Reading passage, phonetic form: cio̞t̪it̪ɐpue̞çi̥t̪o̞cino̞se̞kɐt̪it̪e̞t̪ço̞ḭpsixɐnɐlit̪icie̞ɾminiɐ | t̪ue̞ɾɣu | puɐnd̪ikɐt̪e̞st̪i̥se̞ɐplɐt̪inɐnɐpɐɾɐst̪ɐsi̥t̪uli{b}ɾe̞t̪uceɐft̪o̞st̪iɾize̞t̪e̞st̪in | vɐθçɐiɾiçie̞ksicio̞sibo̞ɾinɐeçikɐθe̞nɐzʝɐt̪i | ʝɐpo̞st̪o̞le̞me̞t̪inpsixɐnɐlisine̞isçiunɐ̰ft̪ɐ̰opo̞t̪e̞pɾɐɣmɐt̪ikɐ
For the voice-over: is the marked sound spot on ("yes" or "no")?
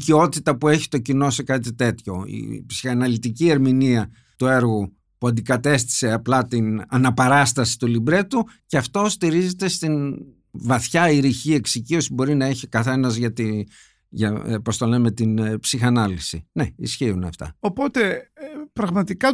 yes